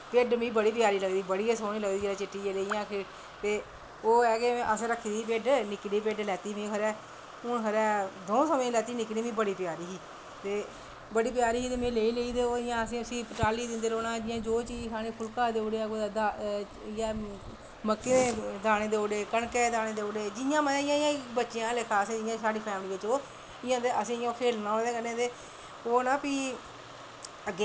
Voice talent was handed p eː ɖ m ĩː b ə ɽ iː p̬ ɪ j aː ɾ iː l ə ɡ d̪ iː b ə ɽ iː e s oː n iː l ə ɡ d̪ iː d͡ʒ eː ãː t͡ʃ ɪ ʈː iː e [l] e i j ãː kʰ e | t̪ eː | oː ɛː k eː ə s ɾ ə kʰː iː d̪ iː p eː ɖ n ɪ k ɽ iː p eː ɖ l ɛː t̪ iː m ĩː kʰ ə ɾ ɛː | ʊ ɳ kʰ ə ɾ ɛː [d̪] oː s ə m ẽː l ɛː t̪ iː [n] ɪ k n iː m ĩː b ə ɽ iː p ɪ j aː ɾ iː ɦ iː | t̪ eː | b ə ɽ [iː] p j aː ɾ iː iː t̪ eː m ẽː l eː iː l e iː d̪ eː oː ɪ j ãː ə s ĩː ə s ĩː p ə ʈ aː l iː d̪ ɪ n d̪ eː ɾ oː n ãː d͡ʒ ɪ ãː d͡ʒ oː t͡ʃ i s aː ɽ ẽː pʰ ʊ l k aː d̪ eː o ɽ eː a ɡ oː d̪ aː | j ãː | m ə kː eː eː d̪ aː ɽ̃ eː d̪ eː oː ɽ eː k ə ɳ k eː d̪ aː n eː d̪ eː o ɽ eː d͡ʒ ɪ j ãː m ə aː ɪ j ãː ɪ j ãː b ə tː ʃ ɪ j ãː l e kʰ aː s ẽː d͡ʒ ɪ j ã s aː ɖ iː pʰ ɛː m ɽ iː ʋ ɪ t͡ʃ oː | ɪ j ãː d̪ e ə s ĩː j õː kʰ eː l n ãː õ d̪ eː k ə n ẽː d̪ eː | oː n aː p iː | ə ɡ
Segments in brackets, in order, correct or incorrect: correct, correct, correct, correct

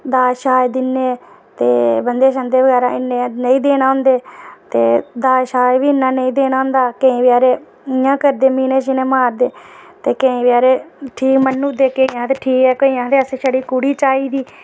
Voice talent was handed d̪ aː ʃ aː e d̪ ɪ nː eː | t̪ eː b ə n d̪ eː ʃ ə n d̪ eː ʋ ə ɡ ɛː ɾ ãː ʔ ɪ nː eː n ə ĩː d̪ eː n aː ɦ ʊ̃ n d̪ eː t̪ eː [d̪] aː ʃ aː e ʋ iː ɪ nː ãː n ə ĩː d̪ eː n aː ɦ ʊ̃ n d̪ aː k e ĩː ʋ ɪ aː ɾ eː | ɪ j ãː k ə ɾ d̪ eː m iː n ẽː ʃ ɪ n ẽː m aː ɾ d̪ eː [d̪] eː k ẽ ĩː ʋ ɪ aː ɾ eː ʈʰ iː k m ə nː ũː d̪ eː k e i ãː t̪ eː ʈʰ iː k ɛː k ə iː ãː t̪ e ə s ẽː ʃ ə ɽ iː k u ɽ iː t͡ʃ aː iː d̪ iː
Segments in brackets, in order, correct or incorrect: correct, incorrect: t̪

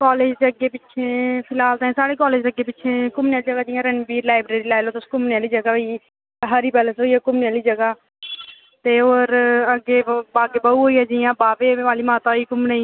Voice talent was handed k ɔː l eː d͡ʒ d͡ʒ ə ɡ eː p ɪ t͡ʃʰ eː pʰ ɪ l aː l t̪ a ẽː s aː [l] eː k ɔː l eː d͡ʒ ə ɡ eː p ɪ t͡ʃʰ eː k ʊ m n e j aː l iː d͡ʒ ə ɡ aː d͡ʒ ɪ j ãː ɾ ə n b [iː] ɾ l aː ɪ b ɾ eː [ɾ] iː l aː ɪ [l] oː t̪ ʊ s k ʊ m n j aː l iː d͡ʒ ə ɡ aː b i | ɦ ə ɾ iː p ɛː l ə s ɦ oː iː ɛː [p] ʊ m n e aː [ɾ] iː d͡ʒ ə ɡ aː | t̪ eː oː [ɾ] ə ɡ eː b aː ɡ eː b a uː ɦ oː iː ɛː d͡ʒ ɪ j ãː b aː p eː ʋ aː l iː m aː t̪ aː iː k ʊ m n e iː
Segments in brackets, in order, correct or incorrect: incorrect: ɽ, correct, correct, correct, incorrect: k, incorrect: l, correct

